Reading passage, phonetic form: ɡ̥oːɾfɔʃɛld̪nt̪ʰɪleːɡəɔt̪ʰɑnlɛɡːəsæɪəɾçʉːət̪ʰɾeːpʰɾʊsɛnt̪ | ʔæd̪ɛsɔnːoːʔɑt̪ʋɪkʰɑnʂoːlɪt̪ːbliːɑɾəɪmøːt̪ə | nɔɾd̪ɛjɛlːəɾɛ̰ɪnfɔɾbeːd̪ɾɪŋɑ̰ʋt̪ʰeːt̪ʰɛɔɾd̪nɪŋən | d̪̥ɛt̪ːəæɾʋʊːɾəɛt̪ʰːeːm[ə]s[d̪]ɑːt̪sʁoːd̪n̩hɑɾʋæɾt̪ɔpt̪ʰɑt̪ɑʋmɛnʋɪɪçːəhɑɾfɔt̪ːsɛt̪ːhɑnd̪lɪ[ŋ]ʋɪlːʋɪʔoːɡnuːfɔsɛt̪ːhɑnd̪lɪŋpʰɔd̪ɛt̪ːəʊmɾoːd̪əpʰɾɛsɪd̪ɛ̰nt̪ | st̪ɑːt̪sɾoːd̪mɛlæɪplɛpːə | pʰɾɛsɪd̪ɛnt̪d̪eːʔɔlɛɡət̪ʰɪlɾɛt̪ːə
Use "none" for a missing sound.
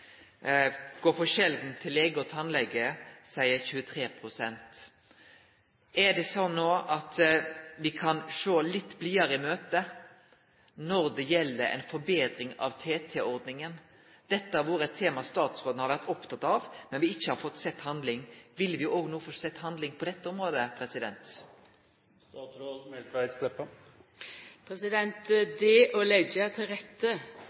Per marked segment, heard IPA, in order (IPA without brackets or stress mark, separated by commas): ɑ, t̪, ŋ